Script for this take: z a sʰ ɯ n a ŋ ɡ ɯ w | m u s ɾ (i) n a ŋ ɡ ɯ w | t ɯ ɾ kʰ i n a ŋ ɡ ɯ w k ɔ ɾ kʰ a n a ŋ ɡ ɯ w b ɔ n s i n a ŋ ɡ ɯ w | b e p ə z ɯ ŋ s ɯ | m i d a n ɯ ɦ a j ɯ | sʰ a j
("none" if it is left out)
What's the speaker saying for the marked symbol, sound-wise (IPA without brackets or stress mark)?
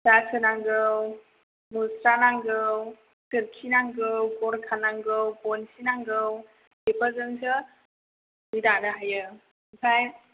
a